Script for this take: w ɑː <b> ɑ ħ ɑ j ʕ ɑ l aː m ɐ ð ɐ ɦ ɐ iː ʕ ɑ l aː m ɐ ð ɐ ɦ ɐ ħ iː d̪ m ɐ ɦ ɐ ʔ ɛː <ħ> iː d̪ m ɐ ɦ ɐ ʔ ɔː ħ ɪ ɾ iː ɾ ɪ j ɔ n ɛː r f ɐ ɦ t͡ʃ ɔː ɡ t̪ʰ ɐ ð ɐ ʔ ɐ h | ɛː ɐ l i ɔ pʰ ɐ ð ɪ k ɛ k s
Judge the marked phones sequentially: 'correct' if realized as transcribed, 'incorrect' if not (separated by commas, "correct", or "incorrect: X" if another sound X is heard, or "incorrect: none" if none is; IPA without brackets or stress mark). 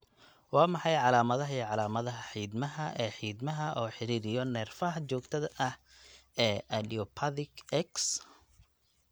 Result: incorrect: m, correct